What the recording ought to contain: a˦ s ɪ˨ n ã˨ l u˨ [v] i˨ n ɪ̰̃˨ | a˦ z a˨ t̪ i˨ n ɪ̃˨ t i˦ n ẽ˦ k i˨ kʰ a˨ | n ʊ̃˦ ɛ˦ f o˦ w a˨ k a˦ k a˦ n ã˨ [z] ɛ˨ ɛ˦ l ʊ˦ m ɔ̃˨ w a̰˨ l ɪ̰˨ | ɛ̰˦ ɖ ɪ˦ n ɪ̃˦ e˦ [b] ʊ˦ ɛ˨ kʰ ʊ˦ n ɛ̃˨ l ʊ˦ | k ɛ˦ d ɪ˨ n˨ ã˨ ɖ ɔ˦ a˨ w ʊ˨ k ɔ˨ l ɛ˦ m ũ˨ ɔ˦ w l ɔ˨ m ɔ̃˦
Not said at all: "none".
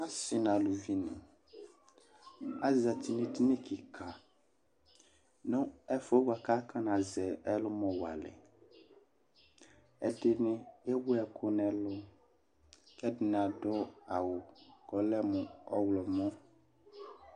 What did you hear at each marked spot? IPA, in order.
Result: v, z, w

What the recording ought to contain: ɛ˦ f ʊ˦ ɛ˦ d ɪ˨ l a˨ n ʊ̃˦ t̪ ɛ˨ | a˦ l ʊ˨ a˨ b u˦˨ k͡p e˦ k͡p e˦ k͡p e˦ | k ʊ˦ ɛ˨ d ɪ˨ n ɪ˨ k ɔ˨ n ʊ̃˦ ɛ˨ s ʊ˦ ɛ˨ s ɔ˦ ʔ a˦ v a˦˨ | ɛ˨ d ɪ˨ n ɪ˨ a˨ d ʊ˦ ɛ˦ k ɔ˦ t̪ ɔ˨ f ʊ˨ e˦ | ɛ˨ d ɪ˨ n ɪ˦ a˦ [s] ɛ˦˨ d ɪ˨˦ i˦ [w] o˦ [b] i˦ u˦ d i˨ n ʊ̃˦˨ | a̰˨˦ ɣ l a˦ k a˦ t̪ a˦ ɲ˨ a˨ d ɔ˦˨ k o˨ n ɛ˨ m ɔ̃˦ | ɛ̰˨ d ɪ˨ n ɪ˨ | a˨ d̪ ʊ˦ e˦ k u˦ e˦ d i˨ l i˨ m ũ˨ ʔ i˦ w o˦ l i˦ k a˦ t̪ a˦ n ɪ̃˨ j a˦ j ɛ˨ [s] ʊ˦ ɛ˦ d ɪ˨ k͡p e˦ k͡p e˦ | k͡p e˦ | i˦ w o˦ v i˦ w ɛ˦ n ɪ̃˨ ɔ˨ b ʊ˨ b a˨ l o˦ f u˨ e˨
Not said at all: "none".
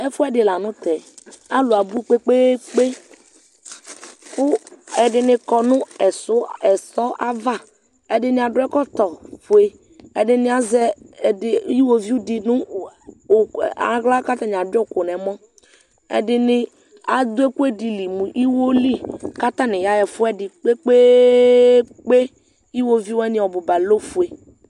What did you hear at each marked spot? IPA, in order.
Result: z, w, v, f

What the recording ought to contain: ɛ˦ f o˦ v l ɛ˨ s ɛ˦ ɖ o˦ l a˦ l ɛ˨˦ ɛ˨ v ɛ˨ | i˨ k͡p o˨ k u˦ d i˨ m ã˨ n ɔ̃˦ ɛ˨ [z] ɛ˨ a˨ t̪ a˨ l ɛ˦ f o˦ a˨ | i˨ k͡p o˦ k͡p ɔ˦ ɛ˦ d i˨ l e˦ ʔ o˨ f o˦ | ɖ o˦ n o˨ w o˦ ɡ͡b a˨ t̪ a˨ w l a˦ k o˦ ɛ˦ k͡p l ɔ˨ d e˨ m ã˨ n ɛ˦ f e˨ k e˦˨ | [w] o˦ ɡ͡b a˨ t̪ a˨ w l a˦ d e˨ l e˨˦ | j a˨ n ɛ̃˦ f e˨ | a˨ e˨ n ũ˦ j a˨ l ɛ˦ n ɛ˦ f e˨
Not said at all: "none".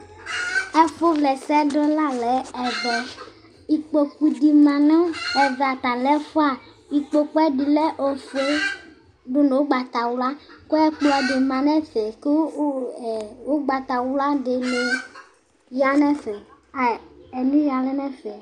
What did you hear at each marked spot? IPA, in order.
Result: v, w

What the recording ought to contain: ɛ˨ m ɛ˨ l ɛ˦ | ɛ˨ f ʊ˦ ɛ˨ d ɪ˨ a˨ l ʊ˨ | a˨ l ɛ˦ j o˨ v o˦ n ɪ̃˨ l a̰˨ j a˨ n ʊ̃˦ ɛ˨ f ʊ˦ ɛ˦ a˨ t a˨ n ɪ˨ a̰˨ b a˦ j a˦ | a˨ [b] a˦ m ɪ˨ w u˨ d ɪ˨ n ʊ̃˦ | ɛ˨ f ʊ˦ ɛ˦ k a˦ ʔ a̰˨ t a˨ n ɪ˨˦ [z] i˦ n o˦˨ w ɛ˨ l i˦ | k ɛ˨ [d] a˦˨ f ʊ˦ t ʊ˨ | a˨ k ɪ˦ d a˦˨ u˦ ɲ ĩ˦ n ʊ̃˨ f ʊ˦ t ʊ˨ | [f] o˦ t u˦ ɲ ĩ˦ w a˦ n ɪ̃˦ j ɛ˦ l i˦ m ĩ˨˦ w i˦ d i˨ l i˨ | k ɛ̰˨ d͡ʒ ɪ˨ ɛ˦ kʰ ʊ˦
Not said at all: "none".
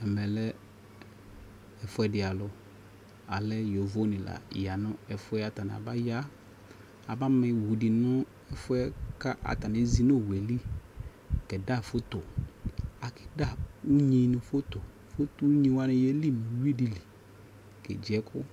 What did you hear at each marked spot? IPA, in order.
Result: b, z, d, f

